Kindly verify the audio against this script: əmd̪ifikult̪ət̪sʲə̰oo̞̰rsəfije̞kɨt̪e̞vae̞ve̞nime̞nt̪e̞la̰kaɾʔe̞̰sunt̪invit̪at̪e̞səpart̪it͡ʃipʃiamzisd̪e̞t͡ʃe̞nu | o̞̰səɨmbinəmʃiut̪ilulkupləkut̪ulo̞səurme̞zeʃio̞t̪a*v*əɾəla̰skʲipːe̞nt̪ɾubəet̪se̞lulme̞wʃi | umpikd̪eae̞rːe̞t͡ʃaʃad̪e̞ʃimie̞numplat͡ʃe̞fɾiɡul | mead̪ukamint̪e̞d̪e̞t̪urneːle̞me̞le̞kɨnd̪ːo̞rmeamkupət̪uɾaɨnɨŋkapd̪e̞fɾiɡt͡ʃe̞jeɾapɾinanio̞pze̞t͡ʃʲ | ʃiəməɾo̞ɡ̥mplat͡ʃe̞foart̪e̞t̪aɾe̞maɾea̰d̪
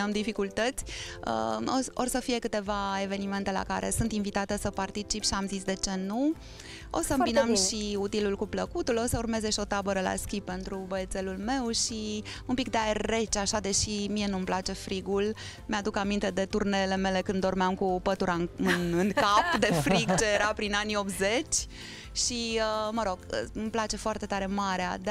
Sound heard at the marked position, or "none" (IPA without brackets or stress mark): b